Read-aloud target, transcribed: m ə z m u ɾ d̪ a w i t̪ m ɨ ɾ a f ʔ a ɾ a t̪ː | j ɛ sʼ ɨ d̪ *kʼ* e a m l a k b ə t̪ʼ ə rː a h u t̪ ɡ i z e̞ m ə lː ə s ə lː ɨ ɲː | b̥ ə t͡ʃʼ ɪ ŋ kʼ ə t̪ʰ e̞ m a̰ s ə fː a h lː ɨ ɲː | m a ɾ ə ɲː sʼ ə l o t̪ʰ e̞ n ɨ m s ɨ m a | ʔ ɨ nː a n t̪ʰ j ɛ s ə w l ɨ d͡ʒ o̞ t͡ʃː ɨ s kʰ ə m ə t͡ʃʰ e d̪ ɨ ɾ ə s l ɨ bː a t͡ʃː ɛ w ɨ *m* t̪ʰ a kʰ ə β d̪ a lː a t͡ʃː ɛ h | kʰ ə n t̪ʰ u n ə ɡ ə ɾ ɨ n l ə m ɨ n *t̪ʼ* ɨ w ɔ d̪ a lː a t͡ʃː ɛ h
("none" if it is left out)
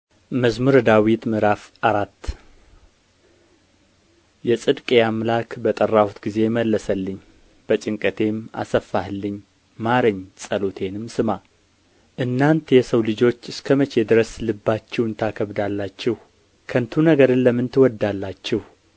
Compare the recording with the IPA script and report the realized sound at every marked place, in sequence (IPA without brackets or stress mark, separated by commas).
kʼ, n, t̪